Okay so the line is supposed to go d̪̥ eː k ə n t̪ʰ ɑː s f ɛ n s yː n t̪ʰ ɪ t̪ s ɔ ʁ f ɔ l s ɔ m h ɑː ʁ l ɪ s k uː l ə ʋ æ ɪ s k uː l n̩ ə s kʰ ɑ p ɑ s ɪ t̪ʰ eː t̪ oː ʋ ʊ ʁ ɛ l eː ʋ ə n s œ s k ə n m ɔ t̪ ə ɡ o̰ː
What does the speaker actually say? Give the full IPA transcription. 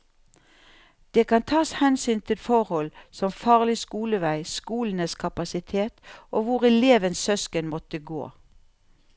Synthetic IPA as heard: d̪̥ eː k ɑ n t̪ʰ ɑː s h ɛ n s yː n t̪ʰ ɪ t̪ f ɔ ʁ h ɔ l s ɔ m f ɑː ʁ l ɪ s k uː l ə ʋ æ ɪ s k uː l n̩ ə s kʰ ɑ p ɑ s ɪ t̪ʰ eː t̪ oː ʋ ʊ ʁ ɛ l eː ʋ ə n s œ s k ə n m ɔ t̪ ə ɡ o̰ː